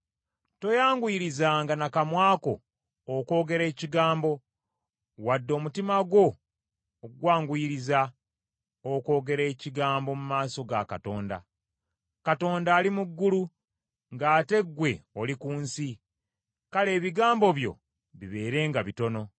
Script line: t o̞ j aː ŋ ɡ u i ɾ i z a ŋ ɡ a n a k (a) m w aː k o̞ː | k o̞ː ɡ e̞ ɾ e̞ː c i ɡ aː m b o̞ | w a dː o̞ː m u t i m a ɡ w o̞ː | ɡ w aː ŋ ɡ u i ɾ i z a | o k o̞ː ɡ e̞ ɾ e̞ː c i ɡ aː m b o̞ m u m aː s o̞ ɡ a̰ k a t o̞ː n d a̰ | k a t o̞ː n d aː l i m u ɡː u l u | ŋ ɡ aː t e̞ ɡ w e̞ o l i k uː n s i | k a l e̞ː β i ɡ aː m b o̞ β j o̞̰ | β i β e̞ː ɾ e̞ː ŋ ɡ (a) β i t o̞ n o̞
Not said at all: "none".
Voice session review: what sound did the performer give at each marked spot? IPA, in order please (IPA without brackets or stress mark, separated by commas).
a, a